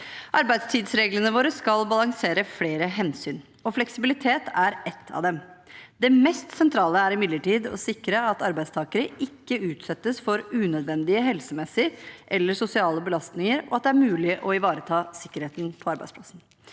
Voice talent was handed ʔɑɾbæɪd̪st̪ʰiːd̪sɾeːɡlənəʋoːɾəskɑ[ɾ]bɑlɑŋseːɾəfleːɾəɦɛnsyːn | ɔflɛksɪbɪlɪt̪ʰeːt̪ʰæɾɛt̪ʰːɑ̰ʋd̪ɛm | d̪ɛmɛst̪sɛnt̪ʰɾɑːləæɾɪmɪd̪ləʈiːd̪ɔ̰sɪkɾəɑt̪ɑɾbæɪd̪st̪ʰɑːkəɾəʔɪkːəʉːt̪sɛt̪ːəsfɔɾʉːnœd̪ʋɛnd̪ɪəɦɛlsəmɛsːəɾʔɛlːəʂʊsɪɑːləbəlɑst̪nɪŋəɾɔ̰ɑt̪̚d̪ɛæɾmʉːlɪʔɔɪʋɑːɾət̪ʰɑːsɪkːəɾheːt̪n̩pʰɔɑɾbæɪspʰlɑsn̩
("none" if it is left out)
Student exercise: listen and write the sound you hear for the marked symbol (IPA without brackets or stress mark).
l